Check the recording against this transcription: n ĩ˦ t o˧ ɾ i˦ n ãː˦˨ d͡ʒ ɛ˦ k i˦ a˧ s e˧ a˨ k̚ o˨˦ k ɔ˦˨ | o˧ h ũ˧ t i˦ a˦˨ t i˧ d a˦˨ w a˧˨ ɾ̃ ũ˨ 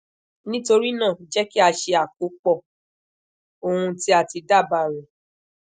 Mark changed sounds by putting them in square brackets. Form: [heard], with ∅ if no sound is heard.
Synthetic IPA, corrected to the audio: n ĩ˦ t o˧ ɾ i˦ n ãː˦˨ d͡ʒ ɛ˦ k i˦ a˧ [ʃ] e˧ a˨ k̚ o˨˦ [k͡p] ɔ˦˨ | o˧ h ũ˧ t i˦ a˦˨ t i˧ d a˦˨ [b] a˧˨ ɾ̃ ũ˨